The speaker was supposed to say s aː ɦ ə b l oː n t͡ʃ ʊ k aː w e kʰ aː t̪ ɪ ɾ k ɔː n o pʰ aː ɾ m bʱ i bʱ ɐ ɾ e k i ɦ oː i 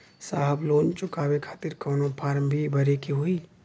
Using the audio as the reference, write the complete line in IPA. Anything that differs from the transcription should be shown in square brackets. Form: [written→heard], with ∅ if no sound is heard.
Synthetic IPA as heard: s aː ɦ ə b l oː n t͡ʃ ʊ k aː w e kʰ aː t̪ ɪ ɾ k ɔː n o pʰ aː ɾ m bʱ i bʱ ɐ ɾ e k i ɦ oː i

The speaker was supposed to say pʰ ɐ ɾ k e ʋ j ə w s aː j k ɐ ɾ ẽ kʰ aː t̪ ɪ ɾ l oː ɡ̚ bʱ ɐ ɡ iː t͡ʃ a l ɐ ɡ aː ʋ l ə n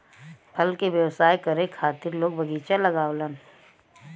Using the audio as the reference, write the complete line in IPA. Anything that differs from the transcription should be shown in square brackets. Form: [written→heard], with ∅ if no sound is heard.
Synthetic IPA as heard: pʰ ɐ [ɾ→l] k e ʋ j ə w s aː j k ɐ ɾ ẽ kʰ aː t̪ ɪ ɾ l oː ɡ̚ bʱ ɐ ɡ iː t͡ʃ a l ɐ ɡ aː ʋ l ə n

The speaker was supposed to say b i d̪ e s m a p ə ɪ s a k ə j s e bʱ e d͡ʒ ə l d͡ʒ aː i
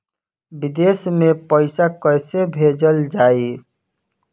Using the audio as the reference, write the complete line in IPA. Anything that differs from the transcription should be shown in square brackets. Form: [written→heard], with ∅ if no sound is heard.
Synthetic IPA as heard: b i d̪ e s m [a→e] p ə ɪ s a k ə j s e bʱ e d͡ʒ ə l d͡ʒ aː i

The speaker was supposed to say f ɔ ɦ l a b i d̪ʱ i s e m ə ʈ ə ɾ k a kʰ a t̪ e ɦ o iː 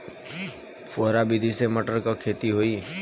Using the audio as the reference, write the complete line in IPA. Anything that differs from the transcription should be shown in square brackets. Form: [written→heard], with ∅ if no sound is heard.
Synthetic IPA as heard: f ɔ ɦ [l→ɾ] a b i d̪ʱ i s e m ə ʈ ə ɾ k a kʰ [a→e] t̪ [e→i] ɦ o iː

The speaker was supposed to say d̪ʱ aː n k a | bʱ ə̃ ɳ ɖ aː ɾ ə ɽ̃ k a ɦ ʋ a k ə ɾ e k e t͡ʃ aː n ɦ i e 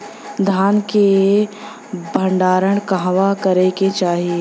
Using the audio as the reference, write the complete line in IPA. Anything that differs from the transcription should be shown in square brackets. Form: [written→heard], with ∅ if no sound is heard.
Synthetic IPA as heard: d̪ʱ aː n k [a→e] | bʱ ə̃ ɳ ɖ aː ɾ ə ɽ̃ k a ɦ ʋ a k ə ɾ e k e t͡ʃ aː [n→∅] ɦ i e

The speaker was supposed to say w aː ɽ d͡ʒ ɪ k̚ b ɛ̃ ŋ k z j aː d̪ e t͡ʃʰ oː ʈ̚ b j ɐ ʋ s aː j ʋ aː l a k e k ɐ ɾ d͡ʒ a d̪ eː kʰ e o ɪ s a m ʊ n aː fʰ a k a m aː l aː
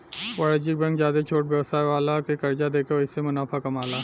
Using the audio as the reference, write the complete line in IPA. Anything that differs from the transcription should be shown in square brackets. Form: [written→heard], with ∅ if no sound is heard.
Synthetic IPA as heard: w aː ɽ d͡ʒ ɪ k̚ b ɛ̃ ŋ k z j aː d̪ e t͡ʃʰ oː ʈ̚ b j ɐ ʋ s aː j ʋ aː l a k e k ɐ ɾ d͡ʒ a d̪ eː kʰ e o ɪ s [a→e] m ʊ n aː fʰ a k [a→ɐ] m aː l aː

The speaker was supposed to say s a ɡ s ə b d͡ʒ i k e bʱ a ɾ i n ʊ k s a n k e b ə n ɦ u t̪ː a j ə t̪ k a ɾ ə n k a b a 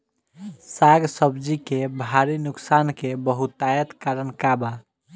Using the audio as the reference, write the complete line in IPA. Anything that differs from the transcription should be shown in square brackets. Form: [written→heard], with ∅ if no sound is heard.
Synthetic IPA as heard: s a ɡ s ə b d͡ʒ i k e bʱ a ɾ i n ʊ k s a n k e b ə [n→∅] ɦ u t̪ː a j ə t̪ k a ɾ ə n k a b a

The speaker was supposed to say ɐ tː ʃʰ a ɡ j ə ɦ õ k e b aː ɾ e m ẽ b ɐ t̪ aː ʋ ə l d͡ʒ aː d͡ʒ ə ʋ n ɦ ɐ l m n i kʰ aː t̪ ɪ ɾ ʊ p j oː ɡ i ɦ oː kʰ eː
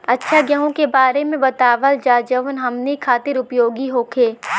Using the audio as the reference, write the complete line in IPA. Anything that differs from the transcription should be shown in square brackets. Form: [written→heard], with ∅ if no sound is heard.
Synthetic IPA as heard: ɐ tː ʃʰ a ɡ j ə ɦ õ k e b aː ɾ e m ẽ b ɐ t̪ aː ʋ ə l d͡ʒ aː d͡ʒ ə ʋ n ɦ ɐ [l→∅] m n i kʰ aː t̪ ɪ ɾ ʊ p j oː ɡ i ɦ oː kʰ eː

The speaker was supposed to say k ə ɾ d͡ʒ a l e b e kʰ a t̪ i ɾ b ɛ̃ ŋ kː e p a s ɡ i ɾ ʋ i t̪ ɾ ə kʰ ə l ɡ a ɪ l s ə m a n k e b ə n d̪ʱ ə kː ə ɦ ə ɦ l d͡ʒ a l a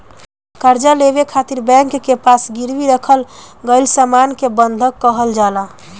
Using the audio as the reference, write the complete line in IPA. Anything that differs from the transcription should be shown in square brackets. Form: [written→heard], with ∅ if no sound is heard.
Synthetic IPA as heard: k ə ɾ d͡ʒ a l e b e kʰ a t̪ i ɾ b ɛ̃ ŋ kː e p a s ɡ i ɾ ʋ i [t̪→∅] ɾ ə kʰ ə l ɡ [a→ə] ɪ l s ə m a n k e b ə n d̪ʱ ə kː ə ɦ ə [ɦ→∅] l d͡ʒ a l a

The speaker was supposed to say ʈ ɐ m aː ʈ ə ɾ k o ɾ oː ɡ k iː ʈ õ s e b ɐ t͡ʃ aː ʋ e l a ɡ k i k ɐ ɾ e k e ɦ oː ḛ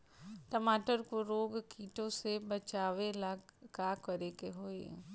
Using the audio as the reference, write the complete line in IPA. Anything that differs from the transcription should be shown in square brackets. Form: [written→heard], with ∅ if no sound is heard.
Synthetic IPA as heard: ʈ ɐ m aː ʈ ə ɾ k o ɾ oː ɡ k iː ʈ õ s e b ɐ t͡ʃ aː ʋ e l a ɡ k [i→a] k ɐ ɾ e k e ɦ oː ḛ

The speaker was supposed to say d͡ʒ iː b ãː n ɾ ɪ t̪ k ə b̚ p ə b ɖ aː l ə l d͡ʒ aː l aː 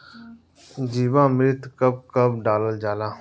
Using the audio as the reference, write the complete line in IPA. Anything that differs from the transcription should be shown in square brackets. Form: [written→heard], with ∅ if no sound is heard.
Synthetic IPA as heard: d͡ʒ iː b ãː [n→m] ɾ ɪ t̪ k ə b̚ [p→k] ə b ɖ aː l ə l d͡ʒ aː l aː

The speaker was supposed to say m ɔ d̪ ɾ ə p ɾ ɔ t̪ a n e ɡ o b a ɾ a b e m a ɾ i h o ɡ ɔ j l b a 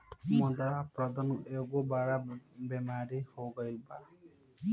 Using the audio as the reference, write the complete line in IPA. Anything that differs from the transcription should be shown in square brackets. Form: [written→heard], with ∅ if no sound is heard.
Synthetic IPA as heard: m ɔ d̪ ɾ [ə→a] p ɾ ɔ [t̪→d̪] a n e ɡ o b a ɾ a b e m a ɾ i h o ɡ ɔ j l b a

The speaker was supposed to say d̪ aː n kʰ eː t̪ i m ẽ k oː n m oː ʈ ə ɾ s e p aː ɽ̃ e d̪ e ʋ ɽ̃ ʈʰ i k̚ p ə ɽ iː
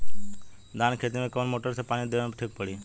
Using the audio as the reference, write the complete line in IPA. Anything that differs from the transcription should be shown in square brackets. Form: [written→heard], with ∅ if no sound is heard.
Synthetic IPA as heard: d̪ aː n kʰ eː t̪ i m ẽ k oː n m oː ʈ ə ɾ s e p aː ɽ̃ [e→i] d̪ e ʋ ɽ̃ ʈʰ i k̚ p ə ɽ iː

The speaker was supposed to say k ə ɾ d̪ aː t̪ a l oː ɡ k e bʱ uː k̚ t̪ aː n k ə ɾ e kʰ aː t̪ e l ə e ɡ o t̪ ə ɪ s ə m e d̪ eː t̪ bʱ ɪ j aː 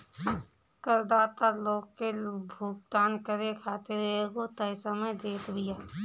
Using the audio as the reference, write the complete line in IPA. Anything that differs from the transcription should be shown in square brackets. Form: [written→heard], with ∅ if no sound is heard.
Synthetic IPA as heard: k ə ɾ d̪ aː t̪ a l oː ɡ k e bʱ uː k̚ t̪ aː n k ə ɾ e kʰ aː t̪ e [l→ɾ] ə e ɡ o t̪ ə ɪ s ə m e d̪ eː t̪ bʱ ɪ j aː

